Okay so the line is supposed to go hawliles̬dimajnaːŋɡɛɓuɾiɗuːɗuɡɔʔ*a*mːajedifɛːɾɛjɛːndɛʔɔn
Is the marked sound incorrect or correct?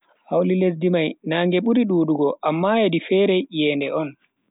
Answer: correct